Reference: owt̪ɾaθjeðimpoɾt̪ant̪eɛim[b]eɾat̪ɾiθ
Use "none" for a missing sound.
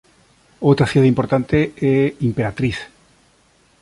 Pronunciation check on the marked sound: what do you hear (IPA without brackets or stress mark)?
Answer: p